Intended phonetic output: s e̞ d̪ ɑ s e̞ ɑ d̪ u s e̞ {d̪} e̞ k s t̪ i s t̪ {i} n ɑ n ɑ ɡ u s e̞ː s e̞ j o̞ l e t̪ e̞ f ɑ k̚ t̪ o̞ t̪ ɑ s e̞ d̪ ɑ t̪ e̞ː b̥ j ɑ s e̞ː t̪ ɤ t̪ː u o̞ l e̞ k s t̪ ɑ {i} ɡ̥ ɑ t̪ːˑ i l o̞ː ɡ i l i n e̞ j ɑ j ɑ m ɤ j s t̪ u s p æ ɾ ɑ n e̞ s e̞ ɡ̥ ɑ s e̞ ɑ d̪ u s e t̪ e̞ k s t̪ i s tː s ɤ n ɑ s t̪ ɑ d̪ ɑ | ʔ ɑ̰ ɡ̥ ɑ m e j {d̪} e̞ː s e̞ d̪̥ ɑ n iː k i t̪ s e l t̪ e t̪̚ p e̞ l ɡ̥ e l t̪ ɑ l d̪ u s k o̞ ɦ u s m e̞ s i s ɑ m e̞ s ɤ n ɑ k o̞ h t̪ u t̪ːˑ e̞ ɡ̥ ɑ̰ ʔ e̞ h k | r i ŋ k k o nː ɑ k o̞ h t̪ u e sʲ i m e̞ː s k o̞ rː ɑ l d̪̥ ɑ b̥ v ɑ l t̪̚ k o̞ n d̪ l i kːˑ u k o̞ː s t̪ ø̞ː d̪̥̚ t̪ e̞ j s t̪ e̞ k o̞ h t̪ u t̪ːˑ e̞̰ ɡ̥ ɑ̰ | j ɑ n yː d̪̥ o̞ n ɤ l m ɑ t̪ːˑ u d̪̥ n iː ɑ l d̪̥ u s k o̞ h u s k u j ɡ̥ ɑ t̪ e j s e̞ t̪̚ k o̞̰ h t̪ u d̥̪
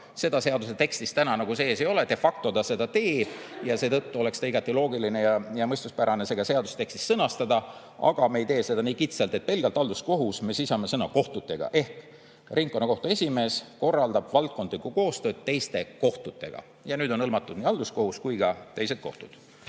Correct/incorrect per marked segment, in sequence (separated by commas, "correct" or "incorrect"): incorrect, incorrect, correct, incorrect